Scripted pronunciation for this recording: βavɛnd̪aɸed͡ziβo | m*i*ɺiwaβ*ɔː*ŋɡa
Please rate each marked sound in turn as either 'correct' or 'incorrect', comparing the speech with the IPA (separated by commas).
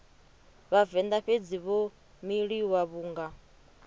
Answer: correct, incorrect